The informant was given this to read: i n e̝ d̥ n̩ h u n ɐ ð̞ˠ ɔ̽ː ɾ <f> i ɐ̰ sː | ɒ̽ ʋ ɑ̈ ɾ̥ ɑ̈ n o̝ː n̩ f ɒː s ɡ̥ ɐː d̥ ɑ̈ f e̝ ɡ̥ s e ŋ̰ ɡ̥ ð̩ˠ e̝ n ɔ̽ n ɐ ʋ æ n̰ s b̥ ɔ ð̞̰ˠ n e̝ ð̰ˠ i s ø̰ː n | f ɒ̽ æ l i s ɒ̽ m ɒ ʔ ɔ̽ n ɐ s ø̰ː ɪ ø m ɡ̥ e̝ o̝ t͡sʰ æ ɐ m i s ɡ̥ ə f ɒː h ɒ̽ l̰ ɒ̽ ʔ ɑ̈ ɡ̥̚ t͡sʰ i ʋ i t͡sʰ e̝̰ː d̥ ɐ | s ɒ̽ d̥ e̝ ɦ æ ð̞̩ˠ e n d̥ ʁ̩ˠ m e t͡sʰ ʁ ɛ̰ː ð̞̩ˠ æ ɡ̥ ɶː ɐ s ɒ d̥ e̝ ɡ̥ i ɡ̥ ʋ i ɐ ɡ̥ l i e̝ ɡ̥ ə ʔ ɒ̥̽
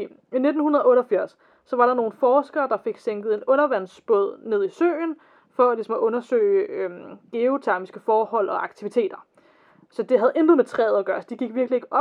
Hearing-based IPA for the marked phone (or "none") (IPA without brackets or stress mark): f